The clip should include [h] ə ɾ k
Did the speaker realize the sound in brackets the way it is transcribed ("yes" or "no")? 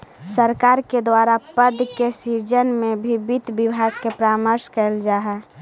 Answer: no